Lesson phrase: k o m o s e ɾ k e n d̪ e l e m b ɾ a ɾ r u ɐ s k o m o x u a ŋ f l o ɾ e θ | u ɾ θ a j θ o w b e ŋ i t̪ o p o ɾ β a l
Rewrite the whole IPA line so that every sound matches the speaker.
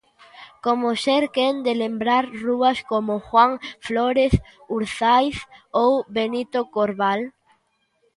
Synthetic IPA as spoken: k o m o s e ɾ k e n d̪ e l e m b ɾ a ɾ r u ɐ s k o m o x w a ŋ f l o ɾ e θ | u ɾ θ a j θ o w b e n i t̪ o k o ɾ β a l

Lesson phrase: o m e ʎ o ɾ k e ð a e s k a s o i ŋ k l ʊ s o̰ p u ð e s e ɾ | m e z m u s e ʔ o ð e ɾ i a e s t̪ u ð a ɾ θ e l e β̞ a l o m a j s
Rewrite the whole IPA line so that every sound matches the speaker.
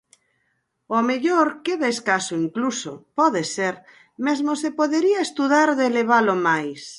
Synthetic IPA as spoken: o m e ʎ o ɾ k e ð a e s k a s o i ŋ k l u s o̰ p ɔ ð e s e ɾ | m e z m o s e p o ð e ɾ i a e s t̪ u ð a ɾ ð e l e β̞ a l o m a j s

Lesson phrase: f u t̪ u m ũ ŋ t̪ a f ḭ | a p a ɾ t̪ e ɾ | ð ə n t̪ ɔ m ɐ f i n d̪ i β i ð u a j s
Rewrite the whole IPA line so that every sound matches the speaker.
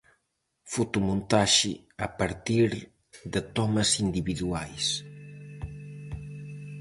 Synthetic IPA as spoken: f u t̪ u m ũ n t̪ a ʃ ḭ | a p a ɾ t̪ i ɾ | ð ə t̪ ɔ m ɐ s i n d̪ i β i ð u a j s

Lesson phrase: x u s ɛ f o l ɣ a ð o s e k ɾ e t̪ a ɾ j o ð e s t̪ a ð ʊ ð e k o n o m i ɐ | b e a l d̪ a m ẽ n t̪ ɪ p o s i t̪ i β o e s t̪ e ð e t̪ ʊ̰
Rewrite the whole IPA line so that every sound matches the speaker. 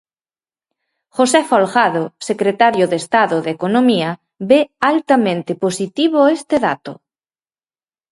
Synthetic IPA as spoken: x o s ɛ f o l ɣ a ð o s e k ɾ e t̪ a ɾ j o ð e s t̪ a ð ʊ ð e k o n o m i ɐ | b e a l t̪ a m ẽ n t̪ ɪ p o s i t̪ i β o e s t̪ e ð a t̪ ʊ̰

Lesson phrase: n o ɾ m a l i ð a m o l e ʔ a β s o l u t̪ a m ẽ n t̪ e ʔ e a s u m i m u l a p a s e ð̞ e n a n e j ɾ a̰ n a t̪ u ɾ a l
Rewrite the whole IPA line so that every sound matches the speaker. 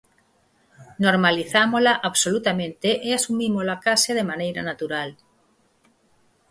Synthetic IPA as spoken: n o ɾ m a l i θ a m o l a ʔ a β s o l u t̪ a m ẽ n t̪ e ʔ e a s u m i m o l a k a s e ð̞ e m a n e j ɾ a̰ n a t̪ u ɾ a l

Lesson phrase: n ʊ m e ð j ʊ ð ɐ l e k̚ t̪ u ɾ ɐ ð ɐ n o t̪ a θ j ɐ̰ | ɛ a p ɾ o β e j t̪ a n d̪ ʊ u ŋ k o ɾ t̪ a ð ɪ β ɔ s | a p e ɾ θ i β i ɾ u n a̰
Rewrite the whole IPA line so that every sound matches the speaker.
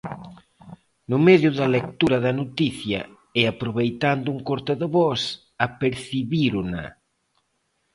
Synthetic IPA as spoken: n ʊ m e ð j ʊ ð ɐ l e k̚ t̪ u ɾ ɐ ð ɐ n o t̪ i θ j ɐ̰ | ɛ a p ɾ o β e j t̪ a n d̪ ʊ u ŋ k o ɾ t̪ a ð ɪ β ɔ s | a p e ɾ θ i β i ɾ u n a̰

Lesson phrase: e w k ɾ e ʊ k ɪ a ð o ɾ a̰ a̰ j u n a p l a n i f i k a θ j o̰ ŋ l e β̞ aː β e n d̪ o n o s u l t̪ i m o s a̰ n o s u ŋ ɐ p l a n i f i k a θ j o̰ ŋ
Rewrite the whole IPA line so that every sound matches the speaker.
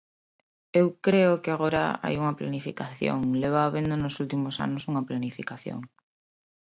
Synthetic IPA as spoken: e w k ɾ e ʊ k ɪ a ɣ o ɾ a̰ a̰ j u ŋ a p l a n i f i k a θ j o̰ ŋ l e β̞ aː β e n d̪ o n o s u l t̪ i m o s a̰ n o s u ŋ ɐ p l a n i f i k a θ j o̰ ŋ

